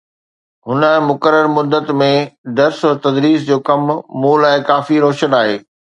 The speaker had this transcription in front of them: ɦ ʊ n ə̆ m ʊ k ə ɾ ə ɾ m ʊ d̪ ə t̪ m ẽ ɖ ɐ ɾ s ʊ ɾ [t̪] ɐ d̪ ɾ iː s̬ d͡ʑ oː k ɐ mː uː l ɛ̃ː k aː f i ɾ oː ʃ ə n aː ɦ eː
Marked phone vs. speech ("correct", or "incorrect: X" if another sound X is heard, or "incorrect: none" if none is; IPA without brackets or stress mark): correct